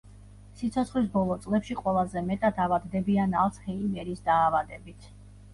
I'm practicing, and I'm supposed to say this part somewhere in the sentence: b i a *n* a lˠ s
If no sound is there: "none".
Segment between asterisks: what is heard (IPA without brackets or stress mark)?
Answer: n